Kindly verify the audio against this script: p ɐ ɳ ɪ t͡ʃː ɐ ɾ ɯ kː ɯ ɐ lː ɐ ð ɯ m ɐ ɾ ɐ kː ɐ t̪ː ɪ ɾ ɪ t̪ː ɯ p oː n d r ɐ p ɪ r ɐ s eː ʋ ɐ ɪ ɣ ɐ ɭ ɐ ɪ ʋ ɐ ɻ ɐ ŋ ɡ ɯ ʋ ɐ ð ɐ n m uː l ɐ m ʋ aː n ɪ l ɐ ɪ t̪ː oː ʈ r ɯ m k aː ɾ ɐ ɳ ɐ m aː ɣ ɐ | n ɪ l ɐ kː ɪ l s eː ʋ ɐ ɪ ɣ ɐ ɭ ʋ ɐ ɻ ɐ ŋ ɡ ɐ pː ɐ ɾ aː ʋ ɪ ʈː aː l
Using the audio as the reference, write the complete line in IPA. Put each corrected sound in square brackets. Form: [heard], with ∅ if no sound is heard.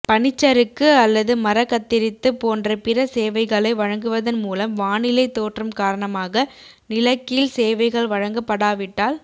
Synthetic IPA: p ɐ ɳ ɪ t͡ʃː ɐ ɾ ɯ kː ɯ ɐ lː ɐ ð ɯ m ɐ ɾ ɐ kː ɐ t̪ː ɪ ɾ ɪ t̪ː ɯ p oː n d r ɐ p ɪ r ɐ s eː ʋ ɐ ɪ ɣ ɐ ɭ ɐ ɪ ʋ ɐ ɻ ɐ ŋ ɡ ɯ ʋ ɐ ð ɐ n m uː l ɐ m ʋ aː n ɪ l ɐ ɪ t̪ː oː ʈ r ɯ m k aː ɾ ɐ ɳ ɐ m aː ɣ ɐ | n ɪ l ɐ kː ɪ l s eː ʋ ɐ ɪ ɣ ɐ ɭ ʋ ɐ ɻ ɐ ŋ ɡ ɐ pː ɐ [ɽ] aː ʋ ɪ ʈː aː l